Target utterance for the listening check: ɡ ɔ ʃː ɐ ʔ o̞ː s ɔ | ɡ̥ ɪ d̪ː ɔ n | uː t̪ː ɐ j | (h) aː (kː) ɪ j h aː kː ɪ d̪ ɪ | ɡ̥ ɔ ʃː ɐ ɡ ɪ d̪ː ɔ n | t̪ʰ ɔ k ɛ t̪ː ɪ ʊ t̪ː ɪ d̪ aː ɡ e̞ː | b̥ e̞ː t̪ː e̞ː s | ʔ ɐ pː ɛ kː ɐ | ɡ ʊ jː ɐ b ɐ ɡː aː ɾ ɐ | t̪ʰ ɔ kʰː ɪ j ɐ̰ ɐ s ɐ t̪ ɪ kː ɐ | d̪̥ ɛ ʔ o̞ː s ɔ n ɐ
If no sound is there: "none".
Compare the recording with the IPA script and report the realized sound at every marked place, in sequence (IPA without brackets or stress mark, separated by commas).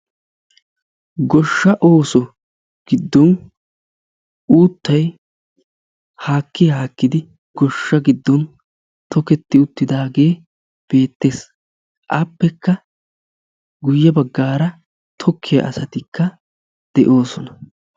h, kː